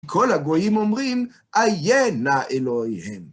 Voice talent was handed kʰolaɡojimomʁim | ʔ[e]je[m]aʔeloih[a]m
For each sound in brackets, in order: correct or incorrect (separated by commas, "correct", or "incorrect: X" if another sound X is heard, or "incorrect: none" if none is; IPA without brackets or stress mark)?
incorrect: a, incorrect: n, incorrect: e